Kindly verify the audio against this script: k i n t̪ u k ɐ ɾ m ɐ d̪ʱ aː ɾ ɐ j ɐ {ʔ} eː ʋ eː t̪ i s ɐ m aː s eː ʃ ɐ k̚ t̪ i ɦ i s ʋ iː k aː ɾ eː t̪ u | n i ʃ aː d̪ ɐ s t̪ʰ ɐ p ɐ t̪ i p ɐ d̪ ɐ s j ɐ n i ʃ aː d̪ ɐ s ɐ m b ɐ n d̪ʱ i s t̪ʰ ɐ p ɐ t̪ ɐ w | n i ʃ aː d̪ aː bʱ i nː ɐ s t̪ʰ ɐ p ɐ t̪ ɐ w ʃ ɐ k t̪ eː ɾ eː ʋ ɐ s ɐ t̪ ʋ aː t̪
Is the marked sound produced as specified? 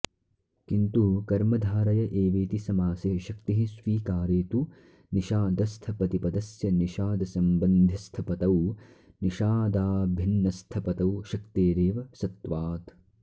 yes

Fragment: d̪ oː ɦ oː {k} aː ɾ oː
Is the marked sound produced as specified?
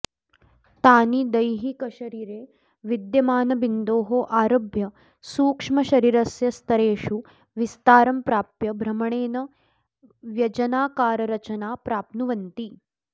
no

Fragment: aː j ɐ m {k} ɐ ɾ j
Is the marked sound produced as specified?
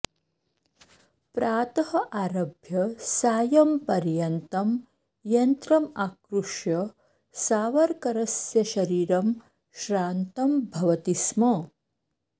no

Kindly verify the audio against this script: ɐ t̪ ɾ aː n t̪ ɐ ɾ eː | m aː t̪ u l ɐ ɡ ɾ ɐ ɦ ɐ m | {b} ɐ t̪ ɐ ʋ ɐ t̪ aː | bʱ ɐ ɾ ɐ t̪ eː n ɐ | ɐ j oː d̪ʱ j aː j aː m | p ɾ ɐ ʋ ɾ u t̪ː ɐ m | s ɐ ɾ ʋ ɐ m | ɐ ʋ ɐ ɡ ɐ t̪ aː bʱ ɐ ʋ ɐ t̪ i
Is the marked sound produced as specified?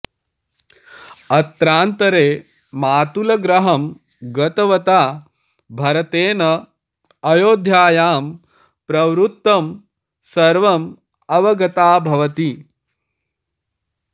no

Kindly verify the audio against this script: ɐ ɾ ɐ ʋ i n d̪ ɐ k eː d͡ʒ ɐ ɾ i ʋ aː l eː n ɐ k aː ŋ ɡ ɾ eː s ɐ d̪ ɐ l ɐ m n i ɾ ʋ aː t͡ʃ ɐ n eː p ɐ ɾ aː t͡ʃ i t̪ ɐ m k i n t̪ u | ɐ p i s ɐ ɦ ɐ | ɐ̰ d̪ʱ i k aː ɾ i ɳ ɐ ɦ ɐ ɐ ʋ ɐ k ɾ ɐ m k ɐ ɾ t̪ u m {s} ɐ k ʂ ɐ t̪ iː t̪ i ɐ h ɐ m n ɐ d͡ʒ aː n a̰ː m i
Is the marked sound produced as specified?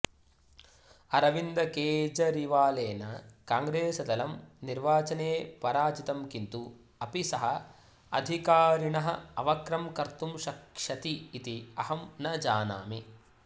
no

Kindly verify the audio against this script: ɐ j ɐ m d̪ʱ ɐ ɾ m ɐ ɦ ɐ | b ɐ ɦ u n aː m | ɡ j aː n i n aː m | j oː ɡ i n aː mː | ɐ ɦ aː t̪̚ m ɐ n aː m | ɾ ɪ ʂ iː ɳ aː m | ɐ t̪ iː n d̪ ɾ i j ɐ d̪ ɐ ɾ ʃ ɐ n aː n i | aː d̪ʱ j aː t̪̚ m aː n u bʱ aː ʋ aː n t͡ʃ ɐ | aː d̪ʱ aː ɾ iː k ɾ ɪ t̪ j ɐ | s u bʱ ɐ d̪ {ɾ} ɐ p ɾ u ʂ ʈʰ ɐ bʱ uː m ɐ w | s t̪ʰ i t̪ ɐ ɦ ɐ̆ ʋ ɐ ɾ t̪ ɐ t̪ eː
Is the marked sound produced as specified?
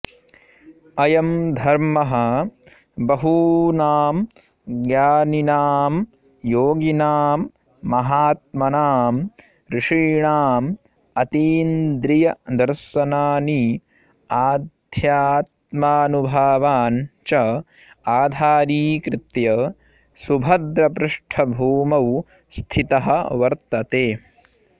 yes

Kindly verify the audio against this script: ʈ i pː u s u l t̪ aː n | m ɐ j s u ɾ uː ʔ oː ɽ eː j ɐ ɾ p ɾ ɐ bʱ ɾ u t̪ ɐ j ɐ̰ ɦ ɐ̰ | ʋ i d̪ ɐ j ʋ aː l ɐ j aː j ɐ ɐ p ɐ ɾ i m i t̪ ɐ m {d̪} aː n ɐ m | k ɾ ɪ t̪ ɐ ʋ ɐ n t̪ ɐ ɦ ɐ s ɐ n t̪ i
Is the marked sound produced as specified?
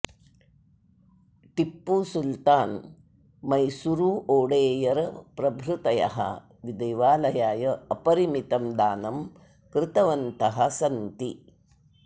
yes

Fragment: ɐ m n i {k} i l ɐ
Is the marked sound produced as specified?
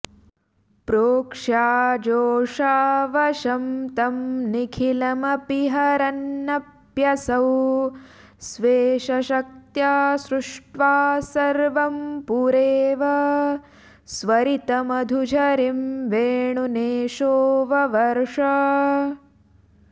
no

